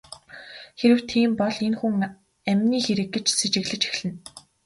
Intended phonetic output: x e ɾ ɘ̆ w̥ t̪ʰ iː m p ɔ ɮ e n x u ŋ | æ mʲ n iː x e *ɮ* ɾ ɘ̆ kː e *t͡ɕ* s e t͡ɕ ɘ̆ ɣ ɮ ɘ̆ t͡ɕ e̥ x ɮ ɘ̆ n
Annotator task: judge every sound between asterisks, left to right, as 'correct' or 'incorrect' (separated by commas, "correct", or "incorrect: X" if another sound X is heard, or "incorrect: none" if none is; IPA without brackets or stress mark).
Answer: incorrect: none, correct